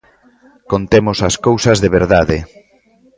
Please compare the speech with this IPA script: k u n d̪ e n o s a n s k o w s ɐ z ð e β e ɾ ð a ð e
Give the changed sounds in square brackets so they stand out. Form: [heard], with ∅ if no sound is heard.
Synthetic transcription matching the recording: k [o] n [t̪] e [m] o s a [∅] s k o w s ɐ z ð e β e ɾ ð a ð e